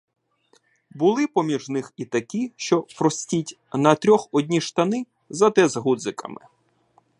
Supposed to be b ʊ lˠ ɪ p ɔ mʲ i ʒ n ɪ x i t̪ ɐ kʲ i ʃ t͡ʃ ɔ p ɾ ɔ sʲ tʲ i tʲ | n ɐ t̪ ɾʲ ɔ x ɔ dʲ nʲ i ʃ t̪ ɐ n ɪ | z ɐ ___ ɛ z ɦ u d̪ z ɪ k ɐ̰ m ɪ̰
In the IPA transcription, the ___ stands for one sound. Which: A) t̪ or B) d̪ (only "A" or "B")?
A